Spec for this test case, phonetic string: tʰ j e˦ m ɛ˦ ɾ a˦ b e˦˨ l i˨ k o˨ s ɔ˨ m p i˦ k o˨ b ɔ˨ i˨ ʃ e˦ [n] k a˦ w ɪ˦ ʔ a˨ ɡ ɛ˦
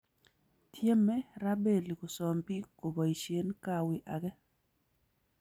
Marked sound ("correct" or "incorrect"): correct